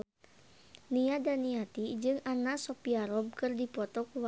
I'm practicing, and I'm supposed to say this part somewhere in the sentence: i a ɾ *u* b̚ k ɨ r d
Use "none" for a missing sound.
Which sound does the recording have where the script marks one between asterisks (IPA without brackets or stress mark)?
ɔ